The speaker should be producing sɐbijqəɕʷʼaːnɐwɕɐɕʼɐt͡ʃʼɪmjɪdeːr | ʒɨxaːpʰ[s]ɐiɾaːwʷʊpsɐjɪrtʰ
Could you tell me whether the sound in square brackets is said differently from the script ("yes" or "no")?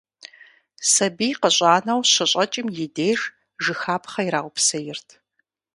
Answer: yes